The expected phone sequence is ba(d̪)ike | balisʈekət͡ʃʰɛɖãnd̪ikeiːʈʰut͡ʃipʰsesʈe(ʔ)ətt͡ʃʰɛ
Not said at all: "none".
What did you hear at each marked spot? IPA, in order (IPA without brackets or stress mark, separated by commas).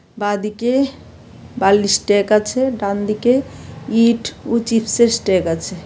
d̪, k